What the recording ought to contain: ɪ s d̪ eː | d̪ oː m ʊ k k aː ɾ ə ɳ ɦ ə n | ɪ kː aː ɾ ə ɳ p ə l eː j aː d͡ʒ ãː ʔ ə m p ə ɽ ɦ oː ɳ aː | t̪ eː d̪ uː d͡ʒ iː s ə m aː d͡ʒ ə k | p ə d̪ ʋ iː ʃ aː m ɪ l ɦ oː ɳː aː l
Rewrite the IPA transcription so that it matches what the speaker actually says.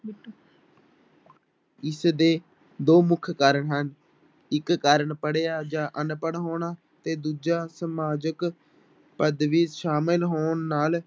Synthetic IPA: ɪ s d̪ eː | d̪ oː m ʊ kʰ k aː ɾ ə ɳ ɦ ə n | ɪ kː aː ɾ ə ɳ p ə ɽ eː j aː d͡ʒ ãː ʔ ə n p ə ɽ ɦ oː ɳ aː | t̪ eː d̪ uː d͡ʒ aː s ə m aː d͡ʒ ə k | p ə d̪ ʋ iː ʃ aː m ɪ l ɦ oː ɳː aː l